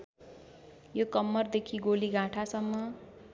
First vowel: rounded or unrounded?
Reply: rounded